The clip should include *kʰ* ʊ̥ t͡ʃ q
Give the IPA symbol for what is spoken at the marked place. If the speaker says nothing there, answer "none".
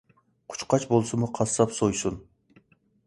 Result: qʰ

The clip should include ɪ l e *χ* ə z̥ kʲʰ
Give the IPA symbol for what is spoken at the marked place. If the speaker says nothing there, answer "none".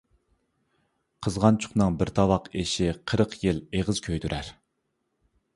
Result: ʁ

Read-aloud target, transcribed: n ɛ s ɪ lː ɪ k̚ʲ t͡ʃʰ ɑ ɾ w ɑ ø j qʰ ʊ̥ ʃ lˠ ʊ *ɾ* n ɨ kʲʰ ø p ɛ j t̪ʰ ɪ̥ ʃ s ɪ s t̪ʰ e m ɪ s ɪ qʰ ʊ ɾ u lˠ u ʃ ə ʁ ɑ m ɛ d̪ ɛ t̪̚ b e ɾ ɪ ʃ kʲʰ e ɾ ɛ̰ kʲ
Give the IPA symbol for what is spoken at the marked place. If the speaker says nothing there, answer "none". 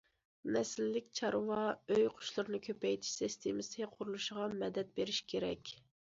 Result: ɾ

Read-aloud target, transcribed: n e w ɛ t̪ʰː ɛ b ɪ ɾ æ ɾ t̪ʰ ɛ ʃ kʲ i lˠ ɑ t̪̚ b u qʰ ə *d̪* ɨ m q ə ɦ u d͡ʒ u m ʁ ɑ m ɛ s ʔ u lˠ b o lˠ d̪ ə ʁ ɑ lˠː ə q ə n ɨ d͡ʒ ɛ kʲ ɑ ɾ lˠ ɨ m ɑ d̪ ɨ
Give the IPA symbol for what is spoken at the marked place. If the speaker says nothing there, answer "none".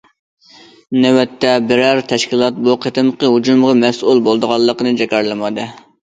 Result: t̪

